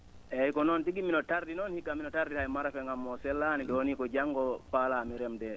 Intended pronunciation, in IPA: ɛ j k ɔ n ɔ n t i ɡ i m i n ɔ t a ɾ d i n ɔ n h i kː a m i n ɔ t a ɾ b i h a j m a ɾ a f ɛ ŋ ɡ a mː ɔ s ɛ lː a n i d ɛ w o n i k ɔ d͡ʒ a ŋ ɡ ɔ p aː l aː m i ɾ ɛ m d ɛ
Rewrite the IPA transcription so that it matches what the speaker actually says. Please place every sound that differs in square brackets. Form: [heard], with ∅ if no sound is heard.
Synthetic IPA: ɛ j k ɔ n ɔ n t i ɡ i m i n ɔ t a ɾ d i n ɔ n h i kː a m i n ɔ t a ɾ [d] i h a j m a ɾ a f ɛ ŋ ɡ a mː ɔ s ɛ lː a n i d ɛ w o n i k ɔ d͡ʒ a ŋ ɡ ɔ p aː l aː m i ɾ ɛ m d ɛ